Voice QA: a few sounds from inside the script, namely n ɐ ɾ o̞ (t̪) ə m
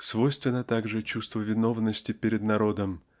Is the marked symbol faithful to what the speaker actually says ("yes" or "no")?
no